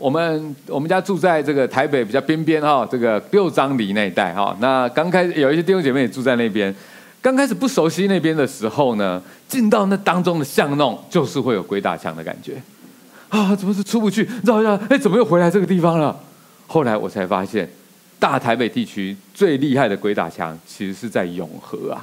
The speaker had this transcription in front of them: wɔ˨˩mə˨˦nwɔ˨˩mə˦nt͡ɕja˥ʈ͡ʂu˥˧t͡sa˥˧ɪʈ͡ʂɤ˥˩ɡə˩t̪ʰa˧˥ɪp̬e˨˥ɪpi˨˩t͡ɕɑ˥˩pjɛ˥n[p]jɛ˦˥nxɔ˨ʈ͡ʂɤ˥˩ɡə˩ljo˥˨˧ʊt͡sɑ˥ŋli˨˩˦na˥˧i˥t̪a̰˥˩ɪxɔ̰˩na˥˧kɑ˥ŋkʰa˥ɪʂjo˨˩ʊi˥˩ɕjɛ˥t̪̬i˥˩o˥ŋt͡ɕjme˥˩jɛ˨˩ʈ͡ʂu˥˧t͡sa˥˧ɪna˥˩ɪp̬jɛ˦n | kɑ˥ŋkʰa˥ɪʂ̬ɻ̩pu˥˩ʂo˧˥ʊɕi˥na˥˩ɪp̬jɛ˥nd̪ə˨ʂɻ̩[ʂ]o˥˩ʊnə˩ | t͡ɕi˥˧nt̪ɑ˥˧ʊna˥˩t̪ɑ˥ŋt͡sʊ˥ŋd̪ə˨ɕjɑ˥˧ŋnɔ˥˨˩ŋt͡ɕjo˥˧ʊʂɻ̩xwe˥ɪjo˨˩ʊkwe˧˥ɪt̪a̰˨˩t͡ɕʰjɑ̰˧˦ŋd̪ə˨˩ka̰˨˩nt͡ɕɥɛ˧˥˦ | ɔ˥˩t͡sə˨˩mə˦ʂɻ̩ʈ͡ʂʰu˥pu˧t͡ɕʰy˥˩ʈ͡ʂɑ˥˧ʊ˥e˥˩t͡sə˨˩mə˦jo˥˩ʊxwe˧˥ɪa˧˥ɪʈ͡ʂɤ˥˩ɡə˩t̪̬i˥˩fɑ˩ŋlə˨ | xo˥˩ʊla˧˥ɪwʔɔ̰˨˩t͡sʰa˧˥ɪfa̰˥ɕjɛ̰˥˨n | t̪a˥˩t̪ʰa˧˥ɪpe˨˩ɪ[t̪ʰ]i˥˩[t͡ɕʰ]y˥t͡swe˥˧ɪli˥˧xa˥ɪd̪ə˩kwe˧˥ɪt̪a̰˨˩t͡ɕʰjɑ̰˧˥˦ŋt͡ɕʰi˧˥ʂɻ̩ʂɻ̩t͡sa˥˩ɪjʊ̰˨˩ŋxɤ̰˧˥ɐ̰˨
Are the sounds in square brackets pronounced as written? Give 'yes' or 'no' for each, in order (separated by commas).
yes, no, no, yes